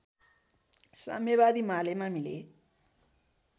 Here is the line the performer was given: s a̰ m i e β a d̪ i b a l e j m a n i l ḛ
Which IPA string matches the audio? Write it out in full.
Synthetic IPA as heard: s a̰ m j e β a d̪ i m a l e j m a m i l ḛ